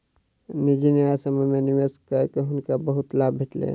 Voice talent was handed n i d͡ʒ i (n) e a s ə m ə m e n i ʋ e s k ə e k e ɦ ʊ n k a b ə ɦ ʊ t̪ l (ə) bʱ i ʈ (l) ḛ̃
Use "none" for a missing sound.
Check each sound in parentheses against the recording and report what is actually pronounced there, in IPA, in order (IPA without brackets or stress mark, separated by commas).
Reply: n, a, l